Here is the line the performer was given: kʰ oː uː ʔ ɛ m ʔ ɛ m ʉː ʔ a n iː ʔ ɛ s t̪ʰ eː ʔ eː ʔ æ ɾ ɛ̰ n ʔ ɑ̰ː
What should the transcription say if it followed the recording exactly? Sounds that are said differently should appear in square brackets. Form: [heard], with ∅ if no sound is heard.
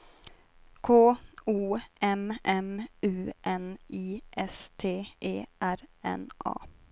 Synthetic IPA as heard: kʰ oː uː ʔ ɛ m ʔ ɛ m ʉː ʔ [ɛ] n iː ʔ ɛ s t̪ʰ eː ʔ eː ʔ æ ɾ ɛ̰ n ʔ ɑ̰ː